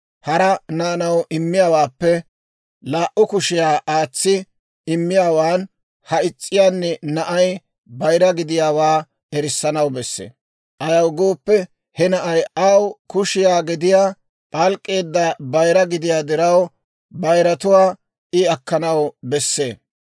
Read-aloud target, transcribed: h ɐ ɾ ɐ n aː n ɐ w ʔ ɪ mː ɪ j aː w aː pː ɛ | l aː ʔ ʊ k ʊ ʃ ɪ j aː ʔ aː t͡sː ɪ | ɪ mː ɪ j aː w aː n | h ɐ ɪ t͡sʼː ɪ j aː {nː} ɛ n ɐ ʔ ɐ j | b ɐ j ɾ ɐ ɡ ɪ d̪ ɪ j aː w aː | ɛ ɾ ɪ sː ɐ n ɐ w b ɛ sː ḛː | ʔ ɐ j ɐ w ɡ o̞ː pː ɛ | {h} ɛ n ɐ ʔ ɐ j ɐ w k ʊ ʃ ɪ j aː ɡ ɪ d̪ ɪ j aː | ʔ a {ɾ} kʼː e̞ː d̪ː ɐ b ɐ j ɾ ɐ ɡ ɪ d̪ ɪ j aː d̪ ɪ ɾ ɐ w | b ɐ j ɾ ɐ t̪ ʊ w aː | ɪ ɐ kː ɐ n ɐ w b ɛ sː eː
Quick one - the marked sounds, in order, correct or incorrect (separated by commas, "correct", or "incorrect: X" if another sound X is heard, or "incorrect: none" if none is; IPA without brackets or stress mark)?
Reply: correct, correct, incorrect: l